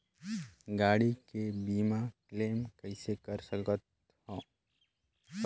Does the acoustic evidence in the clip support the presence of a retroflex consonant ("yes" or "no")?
yes